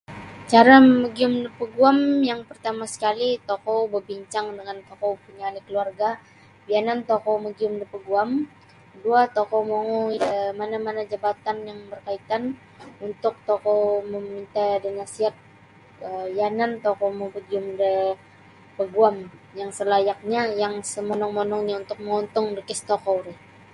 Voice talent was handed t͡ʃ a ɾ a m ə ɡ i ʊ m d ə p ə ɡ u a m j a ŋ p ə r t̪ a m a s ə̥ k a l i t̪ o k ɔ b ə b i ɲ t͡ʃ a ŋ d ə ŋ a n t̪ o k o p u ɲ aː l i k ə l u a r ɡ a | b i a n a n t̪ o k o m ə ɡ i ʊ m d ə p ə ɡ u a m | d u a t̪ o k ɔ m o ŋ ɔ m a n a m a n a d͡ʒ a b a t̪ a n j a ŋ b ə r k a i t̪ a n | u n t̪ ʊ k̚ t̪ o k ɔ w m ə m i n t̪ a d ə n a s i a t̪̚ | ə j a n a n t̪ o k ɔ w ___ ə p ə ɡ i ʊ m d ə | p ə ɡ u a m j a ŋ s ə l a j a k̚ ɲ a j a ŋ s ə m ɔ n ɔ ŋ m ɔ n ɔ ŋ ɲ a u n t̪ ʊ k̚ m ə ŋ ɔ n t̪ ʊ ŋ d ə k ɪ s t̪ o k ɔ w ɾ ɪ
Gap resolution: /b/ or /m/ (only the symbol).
m